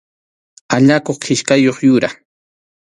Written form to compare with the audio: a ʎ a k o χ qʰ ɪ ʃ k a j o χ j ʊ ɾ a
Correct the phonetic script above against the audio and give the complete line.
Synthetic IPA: a ʎ a k o χ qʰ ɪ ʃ k a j o χ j ʊ ɾ a